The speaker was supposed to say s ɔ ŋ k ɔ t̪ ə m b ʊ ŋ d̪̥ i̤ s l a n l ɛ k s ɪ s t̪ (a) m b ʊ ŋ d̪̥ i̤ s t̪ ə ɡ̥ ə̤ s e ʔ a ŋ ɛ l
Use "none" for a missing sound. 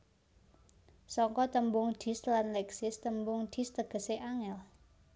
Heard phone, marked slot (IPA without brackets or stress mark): ə